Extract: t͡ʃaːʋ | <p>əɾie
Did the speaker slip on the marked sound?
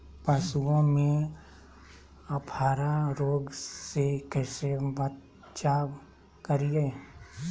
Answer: yes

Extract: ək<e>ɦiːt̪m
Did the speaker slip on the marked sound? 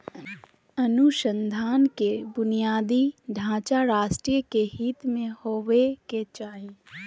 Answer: no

